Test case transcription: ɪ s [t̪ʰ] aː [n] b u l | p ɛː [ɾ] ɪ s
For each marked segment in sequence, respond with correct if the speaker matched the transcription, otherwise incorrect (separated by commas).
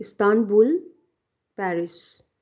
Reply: incorrect, correct, correct